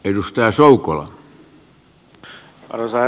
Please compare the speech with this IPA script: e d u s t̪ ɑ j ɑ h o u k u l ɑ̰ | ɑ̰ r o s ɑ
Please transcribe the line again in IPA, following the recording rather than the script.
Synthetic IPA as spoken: e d u s t̪ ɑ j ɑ s o u k o l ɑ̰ | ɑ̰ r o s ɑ